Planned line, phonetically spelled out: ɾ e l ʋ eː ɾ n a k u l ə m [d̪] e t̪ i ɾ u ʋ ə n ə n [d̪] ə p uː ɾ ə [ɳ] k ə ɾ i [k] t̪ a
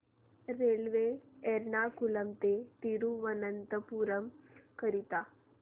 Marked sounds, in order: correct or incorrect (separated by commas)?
incorrect, incorrect, incorrect, incorrect